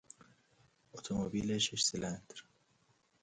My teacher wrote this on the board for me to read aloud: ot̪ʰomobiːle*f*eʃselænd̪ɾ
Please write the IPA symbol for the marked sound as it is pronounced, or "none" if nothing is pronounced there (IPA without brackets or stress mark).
ʃ